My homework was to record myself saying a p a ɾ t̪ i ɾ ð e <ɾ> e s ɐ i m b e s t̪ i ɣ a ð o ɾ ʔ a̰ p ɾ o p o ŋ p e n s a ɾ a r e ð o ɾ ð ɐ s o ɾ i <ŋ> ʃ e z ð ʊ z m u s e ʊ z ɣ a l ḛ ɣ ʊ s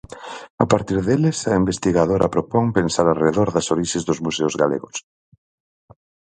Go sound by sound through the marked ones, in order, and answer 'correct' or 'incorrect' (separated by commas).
incorrect, incorrect